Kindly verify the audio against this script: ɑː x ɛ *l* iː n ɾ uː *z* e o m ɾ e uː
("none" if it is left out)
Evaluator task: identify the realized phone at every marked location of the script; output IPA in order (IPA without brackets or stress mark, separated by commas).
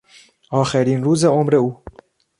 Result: ɾ, z